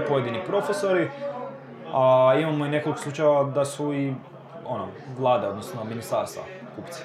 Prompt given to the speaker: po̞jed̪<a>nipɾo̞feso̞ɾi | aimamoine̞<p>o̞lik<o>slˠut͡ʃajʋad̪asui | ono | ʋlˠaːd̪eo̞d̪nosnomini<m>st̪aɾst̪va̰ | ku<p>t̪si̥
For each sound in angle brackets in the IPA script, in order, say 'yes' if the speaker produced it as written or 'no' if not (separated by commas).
no, no, yes, no, yes